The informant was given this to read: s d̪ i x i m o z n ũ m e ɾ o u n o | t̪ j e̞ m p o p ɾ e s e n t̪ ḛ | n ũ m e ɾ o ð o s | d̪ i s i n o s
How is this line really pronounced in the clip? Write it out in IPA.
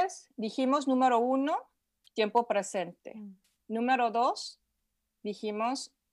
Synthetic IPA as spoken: s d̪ i x i m o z n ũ m e ɾ o u n o | t̪ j e̞ m p o p ɾ e s e n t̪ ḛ | n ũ m e ɾ o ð o s | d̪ i x i m o s